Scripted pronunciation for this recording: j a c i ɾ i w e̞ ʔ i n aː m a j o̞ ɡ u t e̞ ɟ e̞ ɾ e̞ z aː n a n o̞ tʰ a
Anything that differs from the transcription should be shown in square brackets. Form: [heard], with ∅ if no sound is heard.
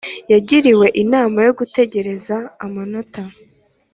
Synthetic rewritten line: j a [ɟ] i ɾ i w e̞ ʔ i n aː m a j o̞ ɡ u t e̞ ɟ e̞ ɾ e̞ z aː [m] a n o̞ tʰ a